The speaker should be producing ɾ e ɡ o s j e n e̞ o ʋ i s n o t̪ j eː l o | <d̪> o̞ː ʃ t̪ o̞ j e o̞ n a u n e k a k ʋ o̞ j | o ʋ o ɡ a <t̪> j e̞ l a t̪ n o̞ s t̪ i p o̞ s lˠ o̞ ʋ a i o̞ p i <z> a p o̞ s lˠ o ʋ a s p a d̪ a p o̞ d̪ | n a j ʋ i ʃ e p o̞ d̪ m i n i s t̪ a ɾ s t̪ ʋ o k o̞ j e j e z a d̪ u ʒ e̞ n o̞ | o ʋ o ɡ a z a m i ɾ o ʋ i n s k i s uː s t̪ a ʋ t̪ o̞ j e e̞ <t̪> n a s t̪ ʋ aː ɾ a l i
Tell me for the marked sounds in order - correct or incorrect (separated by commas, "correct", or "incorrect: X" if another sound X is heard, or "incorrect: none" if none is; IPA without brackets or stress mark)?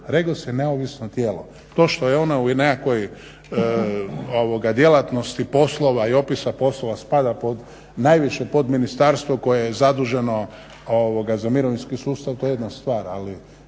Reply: incorrect: t̪, incorrect: d̪, incorrect: s, incorrect: d̪